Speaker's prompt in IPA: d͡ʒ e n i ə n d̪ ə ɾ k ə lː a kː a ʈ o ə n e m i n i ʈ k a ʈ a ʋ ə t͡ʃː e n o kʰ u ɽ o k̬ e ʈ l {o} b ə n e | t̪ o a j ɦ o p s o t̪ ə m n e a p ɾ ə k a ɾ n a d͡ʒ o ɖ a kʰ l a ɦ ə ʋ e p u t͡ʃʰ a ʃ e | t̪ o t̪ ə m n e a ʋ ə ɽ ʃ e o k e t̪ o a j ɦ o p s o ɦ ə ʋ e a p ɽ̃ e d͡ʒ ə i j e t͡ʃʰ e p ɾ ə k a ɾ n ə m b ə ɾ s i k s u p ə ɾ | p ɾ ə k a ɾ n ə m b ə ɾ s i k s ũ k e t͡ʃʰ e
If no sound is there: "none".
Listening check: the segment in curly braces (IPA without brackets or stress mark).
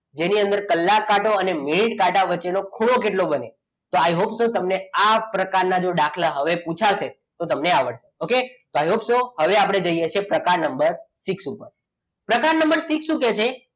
o